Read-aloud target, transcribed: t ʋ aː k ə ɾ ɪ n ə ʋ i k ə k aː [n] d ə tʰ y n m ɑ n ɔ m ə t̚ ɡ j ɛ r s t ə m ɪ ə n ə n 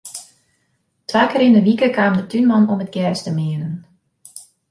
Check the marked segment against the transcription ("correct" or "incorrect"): incorrect